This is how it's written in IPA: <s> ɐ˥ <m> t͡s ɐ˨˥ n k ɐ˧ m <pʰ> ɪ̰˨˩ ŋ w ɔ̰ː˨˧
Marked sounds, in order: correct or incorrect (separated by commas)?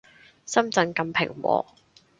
correct, correct, correct